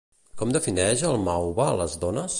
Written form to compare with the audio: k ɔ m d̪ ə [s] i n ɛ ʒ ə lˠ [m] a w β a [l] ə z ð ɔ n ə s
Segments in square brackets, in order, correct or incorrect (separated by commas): incorrect, correct, correct